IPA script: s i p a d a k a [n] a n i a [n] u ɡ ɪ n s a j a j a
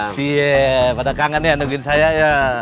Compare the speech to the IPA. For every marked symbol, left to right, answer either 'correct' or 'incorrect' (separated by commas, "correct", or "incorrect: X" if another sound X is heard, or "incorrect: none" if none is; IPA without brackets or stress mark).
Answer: incorrect: ŋ, correct